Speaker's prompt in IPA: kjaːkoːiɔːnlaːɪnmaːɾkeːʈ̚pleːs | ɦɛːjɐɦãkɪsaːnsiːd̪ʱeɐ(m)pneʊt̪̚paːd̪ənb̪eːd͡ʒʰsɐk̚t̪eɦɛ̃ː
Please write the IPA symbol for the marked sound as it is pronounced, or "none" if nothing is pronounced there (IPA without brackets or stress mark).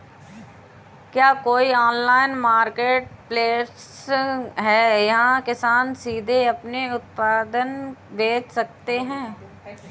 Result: none